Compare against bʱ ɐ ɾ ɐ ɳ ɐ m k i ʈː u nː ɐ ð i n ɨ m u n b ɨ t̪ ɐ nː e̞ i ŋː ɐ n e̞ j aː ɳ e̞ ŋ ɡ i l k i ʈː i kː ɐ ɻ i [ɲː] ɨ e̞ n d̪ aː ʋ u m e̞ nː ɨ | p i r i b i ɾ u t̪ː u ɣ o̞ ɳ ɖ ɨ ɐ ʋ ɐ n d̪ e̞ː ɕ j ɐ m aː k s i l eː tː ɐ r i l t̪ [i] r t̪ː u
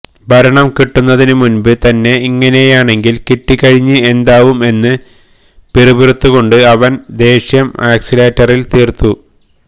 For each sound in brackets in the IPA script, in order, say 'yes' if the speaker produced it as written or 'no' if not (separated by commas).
yes, no